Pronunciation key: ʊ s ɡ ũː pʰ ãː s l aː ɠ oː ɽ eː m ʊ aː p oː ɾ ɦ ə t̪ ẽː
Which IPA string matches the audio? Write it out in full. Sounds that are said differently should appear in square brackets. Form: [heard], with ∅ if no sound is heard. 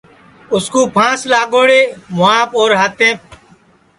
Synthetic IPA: ʊ s [k] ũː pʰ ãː s l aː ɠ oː ɽ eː m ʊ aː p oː ɾ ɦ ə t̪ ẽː